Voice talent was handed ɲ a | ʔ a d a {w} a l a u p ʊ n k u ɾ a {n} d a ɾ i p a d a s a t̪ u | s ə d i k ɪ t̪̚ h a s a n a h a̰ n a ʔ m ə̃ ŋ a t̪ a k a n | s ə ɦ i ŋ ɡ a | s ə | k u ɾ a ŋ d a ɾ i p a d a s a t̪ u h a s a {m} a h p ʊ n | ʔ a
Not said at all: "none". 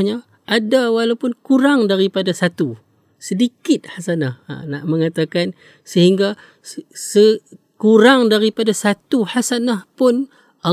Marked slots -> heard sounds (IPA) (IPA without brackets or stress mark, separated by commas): w, ŋ, n